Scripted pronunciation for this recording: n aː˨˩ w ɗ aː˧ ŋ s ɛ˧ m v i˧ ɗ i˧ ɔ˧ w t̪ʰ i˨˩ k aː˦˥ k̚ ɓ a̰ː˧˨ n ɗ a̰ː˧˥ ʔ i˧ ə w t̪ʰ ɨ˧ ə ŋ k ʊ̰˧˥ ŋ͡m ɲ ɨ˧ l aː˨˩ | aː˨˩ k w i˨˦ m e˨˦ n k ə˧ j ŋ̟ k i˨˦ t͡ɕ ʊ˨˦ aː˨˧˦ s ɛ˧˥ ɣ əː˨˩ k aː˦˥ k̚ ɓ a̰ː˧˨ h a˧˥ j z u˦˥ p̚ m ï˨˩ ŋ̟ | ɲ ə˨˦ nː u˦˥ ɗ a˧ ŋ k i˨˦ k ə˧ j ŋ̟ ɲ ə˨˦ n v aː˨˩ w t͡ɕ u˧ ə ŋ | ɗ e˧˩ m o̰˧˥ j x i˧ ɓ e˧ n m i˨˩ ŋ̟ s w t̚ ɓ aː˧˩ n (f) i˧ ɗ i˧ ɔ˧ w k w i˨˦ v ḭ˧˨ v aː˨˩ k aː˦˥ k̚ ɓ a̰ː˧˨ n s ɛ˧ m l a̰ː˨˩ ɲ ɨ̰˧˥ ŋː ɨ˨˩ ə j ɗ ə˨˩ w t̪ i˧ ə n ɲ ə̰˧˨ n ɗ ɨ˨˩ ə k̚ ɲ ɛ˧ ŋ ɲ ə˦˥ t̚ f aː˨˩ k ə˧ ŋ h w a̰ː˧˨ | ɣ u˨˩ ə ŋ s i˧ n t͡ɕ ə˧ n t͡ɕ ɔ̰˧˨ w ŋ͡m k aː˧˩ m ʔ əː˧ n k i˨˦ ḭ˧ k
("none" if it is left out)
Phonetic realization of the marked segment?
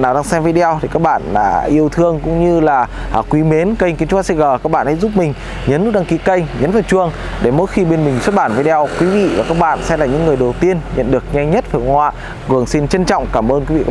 v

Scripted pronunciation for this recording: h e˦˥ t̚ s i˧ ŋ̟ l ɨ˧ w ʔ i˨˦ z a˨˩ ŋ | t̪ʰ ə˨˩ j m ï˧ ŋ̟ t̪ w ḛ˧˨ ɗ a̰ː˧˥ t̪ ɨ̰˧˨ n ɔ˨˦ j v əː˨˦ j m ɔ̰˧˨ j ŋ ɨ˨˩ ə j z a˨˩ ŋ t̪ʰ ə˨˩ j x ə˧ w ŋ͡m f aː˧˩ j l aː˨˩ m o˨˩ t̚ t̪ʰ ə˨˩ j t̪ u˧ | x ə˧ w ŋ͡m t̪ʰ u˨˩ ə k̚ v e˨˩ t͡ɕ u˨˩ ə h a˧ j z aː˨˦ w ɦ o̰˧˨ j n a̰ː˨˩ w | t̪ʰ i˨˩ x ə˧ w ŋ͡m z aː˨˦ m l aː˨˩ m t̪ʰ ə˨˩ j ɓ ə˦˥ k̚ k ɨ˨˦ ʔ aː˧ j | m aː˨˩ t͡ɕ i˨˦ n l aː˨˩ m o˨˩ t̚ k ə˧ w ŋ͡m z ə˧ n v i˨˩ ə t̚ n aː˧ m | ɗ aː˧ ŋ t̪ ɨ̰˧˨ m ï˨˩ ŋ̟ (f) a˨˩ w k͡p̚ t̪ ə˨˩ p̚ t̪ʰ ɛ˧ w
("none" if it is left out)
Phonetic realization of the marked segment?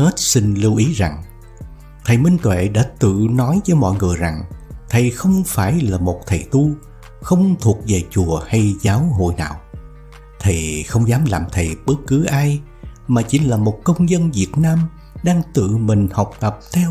h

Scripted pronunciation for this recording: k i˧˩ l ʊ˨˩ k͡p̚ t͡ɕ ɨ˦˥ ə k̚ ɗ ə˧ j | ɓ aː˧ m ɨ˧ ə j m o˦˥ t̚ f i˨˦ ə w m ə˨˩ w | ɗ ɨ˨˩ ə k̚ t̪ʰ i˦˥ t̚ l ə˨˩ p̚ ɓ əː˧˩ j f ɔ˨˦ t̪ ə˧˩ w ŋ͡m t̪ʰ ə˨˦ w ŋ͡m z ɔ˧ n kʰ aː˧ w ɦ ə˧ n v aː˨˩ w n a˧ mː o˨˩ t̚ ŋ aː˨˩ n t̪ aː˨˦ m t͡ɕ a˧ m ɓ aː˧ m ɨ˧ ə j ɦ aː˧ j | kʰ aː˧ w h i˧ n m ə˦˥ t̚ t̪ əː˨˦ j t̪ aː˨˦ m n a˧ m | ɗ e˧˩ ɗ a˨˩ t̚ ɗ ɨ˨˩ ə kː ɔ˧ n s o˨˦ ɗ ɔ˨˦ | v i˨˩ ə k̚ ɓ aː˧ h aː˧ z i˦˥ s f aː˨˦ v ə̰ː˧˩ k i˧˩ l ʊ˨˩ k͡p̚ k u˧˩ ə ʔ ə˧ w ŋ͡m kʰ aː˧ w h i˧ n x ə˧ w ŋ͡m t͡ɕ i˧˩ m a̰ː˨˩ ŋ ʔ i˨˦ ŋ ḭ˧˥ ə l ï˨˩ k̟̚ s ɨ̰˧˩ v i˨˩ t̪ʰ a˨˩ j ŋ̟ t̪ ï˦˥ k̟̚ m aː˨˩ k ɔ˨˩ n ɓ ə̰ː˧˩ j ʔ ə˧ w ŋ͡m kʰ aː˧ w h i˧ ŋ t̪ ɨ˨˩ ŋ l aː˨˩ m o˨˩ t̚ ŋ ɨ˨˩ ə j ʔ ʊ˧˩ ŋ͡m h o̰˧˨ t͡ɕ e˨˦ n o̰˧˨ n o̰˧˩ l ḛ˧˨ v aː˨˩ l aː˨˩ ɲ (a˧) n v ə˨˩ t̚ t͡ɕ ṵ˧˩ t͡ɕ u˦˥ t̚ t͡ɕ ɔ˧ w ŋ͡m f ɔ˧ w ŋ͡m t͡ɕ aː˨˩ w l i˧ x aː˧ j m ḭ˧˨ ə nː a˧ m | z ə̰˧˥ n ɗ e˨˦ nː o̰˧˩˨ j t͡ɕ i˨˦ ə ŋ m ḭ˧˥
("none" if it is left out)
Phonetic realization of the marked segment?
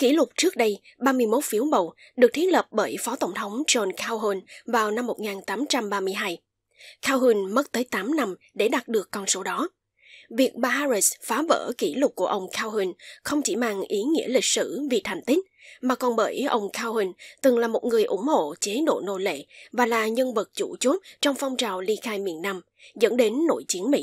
ə˧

